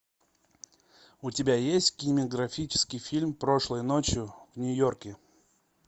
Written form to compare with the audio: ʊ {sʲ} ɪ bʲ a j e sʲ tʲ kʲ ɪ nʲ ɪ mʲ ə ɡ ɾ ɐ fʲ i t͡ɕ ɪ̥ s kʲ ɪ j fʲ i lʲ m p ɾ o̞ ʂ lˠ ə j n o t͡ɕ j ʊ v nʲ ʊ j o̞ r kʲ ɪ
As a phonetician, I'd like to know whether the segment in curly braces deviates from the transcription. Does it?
yes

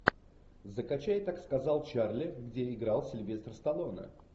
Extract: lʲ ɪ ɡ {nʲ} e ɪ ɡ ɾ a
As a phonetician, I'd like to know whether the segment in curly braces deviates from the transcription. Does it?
yes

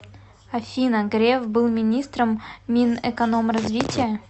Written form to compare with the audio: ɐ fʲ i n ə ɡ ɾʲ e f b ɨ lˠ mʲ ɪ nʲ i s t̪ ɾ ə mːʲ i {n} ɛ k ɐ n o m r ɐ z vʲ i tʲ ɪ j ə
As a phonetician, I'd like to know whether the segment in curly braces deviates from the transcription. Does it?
no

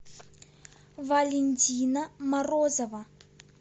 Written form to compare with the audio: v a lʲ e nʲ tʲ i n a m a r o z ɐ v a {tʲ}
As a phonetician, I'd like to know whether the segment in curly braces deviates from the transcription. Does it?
yes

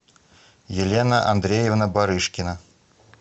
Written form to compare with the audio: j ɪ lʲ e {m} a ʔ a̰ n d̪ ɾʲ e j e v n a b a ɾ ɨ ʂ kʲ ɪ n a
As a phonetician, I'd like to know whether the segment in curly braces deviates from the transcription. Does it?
yes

